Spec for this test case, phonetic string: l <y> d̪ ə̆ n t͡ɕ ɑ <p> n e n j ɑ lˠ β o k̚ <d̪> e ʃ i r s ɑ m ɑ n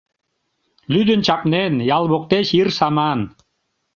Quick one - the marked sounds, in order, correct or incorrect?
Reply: correct, correct, incorrect: t̪

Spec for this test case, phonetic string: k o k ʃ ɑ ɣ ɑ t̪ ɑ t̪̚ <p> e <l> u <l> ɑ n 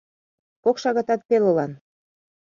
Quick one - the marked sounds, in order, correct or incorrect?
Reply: correct, correct, correct

